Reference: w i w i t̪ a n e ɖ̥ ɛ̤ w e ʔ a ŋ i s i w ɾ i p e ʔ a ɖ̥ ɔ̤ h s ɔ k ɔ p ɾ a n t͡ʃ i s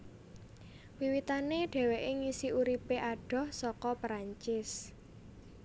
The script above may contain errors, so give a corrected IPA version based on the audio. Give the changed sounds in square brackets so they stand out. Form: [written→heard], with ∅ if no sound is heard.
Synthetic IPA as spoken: w i w i t̪ a n e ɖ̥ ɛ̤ w e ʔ [a→e] ŋ i s i [w→u] ɾ i p e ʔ a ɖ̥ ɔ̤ h s ɔ k ɔ p ɾ a [n→ɲ] t͡ʃ [i→ɪ] s